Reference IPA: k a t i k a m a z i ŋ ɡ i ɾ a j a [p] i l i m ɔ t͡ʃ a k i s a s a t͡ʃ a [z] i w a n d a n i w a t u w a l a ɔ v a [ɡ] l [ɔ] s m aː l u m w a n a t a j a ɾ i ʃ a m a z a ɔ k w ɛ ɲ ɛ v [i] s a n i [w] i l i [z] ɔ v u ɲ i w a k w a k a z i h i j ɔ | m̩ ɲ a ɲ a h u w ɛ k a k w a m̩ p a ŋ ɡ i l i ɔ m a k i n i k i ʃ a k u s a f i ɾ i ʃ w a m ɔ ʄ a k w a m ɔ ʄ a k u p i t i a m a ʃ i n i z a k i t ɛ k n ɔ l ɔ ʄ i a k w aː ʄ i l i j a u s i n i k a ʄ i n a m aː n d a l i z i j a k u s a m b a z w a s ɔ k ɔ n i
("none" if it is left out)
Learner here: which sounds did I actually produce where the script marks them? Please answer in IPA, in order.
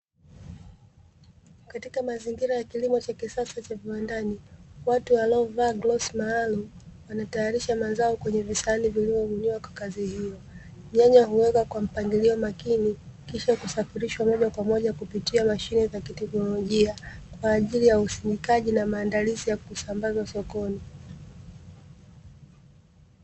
k, v, ɡ, ɔ, i, v, v

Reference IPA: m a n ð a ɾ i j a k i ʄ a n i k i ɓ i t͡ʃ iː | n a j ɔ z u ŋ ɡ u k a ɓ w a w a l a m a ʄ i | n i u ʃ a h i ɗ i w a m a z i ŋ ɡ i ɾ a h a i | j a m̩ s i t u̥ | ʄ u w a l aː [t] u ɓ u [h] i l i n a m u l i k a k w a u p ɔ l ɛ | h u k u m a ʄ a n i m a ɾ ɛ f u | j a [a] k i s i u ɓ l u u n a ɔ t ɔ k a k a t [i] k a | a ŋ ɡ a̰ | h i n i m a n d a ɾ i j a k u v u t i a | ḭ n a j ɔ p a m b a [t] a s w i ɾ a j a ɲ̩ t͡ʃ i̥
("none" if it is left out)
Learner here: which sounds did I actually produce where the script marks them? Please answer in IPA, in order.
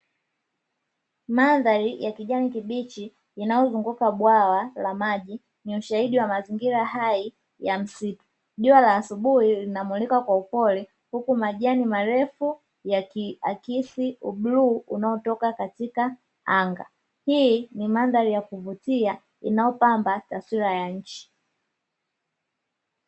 s, h, a, i, t

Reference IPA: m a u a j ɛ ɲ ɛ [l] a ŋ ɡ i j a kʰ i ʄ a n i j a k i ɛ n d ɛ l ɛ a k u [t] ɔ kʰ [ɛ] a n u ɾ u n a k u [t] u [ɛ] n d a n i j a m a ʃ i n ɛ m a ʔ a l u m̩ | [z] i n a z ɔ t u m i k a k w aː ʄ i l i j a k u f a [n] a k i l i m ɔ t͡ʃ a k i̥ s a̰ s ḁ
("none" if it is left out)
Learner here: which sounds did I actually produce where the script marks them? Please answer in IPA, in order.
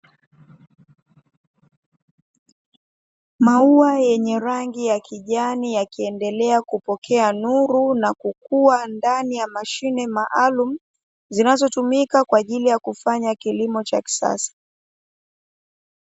ɾ, p, ɛ, k, a, z, ɲ

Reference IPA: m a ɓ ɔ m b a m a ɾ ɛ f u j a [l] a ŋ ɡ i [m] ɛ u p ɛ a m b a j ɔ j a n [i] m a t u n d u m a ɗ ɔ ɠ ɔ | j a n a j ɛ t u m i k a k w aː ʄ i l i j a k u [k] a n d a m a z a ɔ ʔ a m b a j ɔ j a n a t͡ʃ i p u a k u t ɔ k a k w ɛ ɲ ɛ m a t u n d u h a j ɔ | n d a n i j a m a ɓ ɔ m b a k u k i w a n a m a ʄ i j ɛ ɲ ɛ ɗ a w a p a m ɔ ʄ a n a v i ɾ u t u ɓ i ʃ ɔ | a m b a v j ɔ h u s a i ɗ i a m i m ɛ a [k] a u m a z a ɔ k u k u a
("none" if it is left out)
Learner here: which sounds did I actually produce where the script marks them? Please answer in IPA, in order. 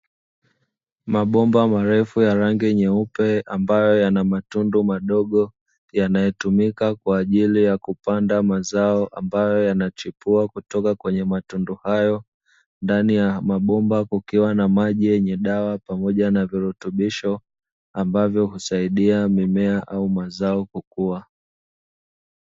ɾ, ɲ, a, p, ʔ

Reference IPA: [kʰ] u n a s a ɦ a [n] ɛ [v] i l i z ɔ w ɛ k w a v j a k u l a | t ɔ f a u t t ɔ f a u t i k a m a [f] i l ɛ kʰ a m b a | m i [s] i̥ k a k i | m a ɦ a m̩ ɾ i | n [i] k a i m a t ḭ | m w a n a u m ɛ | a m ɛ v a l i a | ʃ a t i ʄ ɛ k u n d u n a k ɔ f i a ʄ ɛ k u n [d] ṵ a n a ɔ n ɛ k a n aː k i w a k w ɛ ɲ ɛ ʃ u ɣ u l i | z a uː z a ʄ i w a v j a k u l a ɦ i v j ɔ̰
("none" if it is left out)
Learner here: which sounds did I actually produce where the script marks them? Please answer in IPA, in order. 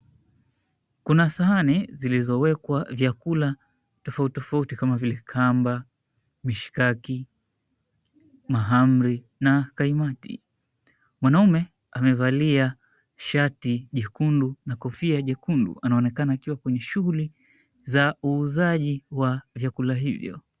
k, n, z, v, ʃ, a, d

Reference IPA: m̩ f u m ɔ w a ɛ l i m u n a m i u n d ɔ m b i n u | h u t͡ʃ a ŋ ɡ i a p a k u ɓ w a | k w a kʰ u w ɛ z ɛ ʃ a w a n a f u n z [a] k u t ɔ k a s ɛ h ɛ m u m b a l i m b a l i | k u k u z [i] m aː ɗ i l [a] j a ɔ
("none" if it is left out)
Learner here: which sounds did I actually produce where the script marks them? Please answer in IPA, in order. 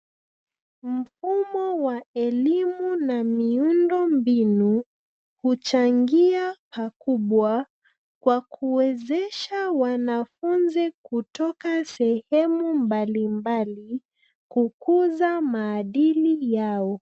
i, a, i

